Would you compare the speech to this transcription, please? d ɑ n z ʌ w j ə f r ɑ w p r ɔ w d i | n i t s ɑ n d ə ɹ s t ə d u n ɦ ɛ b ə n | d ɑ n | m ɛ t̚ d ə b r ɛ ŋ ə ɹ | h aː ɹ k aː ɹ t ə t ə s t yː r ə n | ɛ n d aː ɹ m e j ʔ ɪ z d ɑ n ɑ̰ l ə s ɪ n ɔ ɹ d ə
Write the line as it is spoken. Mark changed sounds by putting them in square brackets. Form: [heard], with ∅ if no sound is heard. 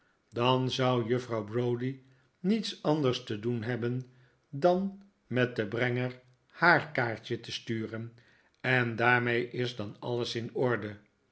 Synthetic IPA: d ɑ n z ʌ w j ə f r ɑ w [b] r [o] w d i | n i t s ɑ n d ə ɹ s t ə d u n ɦ ɛ b ə n | d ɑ n | m ɛ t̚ d ə b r ɛ ŋ ə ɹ | h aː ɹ k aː ɹ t ə t ə s t yː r ə n | ɛ n d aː ɹ m e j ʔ ɪ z d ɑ n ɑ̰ l ə s ɪ n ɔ ɹ d ə

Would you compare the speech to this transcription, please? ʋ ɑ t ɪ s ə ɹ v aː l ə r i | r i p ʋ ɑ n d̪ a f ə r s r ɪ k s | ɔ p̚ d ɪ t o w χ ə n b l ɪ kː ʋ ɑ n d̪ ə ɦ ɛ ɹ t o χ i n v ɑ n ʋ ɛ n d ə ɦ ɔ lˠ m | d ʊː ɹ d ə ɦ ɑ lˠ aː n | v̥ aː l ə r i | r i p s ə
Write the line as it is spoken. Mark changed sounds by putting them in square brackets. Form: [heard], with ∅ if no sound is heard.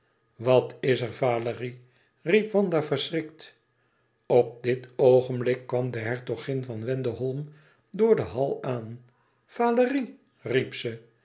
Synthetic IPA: ʋ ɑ t ɪ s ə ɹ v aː l ə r i | r i p ʋ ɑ n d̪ a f ə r s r ɪ k [t] | ɔ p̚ d ɪ t o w χ ə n b l ɪ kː ʋ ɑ [m] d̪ ə ɦ ɛ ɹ t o χ [ɪ] n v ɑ n ʋ ɛ n d ə ɦ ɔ lˠ m | d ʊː ɹ d ə ɦ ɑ lˠ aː n | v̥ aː l ə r i | r i p s ə

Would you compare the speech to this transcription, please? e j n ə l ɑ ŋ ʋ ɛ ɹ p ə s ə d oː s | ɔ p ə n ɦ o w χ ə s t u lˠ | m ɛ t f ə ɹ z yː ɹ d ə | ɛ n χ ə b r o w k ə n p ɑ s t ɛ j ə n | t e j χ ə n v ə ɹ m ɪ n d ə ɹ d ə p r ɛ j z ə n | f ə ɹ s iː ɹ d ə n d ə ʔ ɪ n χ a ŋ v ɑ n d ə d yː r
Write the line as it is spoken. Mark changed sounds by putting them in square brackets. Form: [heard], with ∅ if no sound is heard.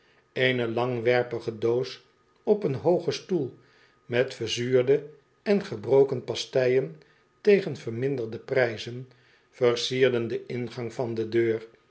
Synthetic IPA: e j n ə l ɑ ŋ ʋ ɛ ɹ p ə [χ] ə d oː s | ɔ p ə n ɦ o w χ ə s t u lˠ | m ɛ t f ə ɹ z yː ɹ d ə | ɛ n χ ə b r o w k ə n p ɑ s t ɛ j ə n | t e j χ ə n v ə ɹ m ɪ n d ə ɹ d ə p r ɛ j z ə n | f ə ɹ s iː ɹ d ə n d ə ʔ ɪ n χ [ɑ] ŋ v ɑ n d ə d [øː] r

